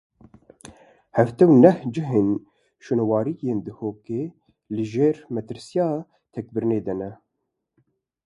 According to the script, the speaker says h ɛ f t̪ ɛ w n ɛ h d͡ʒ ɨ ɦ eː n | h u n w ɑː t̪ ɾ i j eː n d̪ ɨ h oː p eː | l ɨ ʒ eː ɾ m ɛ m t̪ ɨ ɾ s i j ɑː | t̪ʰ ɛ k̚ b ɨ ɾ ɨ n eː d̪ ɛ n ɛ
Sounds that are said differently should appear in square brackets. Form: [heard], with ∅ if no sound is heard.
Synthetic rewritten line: h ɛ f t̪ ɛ w n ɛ h d͡ʒ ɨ ɦ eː n | [ʃ] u n w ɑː [∅] ɾ i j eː n d̪ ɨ h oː [k] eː | l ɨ ʒ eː ɾ m ɛ [∅] t̪ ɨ ɾ s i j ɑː | t̪ʰ ɛ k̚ b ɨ ɾ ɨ n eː d̪ ɛ n ɛ